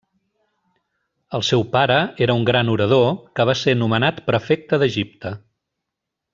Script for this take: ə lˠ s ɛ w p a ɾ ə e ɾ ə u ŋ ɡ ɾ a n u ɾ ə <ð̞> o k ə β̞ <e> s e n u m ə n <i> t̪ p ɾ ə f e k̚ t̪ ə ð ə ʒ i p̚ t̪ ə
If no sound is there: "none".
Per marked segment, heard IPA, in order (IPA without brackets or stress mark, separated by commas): ð̞, a, a